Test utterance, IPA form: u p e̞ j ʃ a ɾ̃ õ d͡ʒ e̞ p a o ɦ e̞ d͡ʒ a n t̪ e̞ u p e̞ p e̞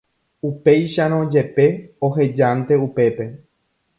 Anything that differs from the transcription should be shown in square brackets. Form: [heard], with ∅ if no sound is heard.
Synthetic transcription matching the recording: u p e̞ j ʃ a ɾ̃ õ d͡ʒ e̞ p [e] o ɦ e̞ d͡ʒ a n t̪ e̞ u p e̞ p e̞